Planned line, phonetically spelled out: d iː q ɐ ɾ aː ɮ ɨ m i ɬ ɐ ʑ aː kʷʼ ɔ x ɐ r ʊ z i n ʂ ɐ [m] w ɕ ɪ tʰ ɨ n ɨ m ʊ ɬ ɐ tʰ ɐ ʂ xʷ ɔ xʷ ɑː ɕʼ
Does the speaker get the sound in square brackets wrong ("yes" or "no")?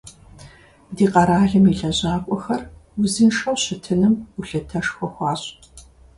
yes